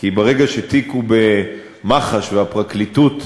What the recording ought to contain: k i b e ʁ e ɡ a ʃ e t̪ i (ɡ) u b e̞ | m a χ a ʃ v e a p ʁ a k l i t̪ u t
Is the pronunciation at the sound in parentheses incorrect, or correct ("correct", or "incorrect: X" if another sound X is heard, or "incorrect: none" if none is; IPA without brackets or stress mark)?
incorrect: k